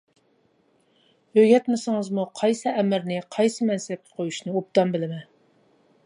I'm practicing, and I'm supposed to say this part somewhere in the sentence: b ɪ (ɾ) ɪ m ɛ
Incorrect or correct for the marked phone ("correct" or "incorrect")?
incorrect